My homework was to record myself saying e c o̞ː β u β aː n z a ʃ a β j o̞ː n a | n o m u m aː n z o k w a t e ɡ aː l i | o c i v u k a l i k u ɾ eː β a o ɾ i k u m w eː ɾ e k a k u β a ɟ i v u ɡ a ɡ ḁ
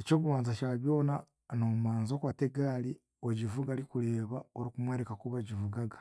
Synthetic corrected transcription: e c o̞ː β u β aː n z a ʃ a β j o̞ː n a | n o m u m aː n z o k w a t e ɡ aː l i | o ɟ i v u ɡ a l i k u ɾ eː β a o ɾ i k u m w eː ɾ e k a k u β a ɟ i v u ɡ a ɡ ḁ